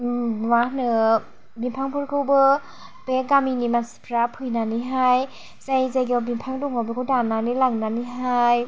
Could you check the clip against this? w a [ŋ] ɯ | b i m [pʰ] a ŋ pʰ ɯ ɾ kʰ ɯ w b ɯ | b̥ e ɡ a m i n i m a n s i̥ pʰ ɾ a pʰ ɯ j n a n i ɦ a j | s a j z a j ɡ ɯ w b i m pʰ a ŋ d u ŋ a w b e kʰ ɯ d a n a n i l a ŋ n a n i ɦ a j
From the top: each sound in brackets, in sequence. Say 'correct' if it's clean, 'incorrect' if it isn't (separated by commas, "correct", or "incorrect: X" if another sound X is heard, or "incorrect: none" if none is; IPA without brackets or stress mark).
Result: incorrect: n, correct